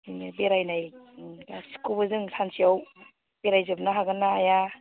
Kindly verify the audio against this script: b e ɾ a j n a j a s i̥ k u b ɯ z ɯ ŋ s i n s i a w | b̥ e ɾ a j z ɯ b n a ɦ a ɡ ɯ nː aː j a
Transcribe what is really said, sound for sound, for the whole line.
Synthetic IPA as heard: b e ɾ a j n a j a s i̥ k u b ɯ z ɯ ŋ s a n s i a w | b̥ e ɾ a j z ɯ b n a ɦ a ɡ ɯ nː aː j a